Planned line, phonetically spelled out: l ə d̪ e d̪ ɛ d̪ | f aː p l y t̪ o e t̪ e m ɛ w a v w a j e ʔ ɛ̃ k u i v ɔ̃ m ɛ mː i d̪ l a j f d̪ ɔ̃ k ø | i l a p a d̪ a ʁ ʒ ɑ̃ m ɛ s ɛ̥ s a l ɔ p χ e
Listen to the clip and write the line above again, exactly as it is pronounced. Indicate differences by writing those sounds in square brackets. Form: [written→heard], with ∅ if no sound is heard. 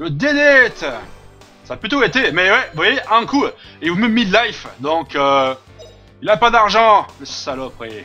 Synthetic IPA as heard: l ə d̪ e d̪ ɛ [d̪→t̪] | [f→s] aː p l y t̪ o e t̪ e m ɛ w [a→ɛ] v w a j e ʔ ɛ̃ k u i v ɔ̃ m ɛ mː i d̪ l a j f d̪ ɔ̃ k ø | i l a p a d̪ a ʁ ʒ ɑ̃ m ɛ s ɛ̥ s a l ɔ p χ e